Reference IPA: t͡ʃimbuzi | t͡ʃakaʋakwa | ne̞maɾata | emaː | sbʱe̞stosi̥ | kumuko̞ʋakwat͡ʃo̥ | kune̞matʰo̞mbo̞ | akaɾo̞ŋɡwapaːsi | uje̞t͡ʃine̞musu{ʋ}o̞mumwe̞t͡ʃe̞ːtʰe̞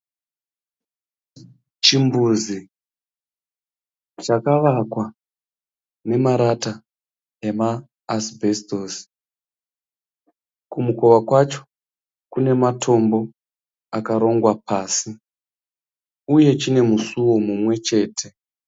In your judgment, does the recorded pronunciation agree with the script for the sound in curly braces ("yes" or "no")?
no